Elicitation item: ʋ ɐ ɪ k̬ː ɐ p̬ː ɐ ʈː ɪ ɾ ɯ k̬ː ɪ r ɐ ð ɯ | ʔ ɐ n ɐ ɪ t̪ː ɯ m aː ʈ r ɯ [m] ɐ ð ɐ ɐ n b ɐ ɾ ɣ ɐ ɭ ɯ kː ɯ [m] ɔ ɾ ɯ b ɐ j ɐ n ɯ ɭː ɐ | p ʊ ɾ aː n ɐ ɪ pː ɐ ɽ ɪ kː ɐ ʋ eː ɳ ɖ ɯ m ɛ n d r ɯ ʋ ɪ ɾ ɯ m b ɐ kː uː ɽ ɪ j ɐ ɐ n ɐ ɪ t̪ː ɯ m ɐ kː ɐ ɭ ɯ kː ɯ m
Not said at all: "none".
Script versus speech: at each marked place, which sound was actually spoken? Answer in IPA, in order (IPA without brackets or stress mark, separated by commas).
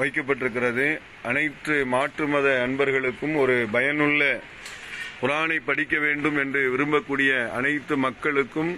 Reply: m, m